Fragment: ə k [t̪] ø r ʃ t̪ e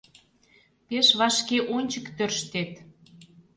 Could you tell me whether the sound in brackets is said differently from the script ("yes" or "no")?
no